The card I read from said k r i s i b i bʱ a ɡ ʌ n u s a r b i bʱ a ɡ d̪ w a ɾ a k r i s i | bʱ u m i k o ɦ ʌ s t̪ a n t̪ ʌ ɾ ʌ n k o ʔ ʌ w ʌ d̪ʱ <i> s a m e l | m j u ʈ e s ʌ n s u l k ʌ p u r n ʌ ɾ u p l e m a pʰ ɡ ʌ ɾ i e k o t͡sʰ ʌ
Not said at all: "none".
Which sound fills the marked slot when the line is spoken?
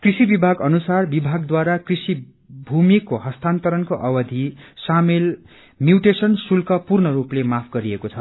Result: i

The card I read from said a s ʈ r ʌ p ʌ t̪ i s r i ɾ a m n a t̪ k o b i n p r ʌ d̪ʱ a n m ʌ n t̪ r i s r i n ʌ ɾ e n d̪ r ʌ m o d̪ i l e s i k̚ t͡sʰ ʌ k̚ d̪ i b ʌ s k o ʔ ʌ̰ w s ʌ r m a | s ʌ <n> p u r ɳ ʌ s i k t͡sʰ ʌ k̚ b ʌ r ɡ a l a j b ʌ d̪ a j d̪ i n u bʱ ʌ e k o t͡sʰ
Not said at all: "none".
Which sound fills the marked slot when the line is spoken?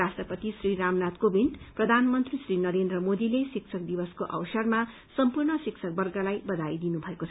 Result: m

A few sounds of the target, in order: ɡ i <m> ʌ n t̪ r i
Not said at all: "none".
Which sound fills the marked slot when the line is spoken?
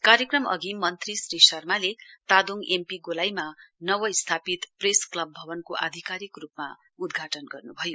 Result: m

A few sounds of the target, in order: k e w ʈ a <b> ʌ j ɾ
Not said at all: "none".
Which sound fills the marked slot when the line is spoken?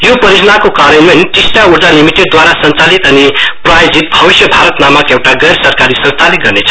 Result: ɡ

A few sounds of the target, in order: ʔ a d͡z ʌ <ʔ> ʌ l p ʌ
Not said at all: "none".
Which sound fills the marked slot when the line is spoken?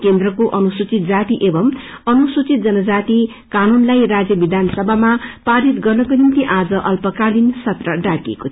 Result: ʔ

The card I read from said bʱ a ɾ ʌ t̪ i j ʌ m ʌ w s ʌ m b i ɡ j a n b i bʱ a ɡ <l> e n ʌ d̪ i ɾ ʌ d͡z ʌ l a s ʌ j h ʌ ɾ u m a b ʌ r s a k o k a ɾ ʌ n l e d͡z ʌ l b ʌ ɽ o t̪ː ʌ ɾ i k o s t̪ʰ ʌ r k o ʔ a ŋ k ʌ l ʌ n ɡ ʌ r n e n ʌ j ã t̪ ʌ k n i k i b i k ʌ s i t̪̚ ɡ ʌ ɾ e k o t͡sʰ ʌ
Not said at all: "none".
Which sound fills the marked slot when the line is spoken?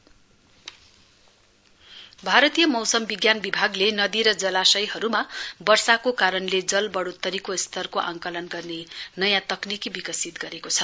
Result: l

